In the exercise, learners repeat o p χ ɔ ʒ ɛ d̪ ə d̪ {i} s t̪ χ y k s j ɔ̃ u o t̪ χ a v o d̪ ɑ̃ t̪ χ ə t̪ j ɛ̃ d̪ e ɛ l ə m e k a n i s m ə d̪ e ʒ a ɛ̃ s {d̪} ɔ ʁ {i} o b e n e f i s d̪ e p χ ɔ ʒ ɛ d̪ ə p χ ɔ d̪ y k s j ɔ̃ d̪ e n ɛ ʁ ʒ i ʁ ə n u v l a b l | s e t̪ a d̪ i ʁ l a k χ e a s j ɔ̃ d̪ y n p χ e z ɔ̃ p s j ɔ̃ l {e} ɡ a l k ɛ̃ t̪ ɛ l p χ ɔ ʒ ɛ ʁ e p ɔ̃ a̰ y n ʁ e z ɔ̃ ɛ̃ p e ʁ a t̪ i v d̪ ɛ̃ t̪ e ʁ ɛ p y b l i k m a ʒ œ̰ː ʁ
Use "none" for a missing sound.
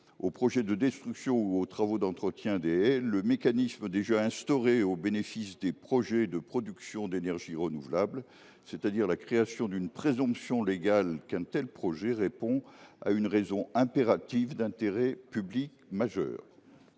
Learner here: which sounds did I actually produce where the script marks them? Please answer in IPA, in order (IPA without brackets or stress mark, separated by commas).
ɛ, t̪, e, e